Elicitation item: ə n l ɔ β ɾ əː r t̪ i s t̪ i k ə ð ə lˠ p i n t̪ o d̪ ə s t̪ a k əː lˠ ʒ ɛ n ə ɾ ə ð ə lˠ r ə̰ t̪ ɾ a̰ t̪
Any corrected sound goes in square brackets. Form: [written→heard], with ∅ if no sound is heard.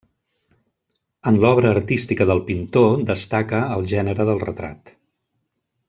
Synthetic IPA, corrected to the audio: ə n l ɔ β ɾ əː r t̪ i s t̪ i k ə ð ə lˠ p i n t̪ o d̪ ə s t̪ a k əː lˠ ʒ ɛ n ə ɾ ə ð ə lˠ r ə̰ t̪ ɾ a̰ t̪